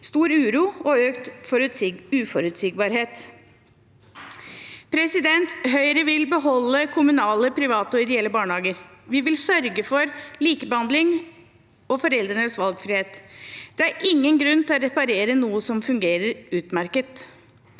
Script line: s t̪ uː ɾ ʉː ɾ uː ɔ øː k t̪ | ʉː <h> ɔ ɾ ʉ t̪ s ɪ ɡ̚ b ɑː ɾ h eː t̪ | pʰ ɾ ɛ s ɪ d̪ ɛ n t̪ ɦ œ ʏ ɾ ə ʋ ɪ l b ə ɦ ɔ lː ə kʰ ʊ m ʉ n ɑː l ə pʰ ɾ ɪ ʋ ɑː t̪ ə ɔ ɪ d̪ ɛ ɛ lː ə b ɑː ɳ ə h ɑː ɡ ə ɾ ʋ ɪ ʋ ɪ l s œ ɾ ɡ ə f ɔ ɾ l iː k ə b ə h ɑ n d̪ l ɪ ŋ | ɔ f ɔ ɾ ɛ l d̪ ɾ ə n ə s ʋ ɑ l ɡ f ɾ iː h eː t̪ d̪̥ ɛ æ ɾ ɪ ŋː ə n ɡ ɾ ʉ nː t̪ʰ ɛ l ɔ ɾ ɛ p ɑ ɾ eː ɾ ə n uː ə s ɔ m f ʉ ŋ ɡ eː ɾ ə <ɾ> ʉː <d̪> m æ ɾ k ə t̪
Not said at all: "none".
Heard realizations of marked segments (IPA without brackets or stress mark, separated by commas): f, ɾ, t̪